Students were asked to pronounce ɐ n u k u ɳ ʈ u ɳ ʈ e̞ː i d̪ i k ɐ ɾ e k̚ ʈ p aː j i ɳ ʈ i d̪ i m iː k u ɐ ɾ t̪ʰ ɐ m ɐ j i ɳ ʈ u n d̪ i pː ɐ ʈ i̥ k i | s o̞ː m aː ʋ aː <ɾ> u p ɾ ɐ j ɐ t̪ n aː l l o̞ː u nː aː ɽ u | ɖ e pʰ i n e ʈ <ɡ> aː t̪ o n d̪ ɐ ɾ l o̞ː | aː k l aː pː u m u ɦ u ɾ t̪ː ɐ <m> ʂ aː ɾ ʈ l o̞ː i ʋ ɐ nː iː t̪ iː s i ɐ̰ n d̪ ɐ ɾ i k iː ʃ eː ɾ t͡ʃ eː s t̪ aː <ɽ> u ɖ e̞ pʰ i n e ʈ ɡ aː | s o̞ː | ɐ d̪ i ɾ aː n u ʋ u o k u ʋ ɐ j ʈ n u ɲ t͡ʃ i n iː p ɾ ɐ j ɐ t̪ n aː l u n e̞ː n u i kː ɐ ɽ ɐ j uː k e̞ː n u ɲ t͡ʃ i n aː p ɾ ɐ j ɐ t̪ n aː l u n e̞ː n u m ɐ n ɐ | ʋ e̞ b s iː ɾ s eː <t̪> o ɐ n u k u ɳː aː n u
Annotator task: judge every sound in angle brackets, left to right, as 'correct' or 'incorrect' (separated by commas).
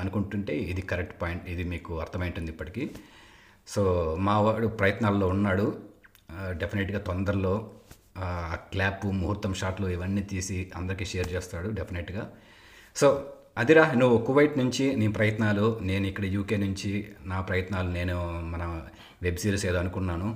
incorrect, correct, correct, correct, incorrect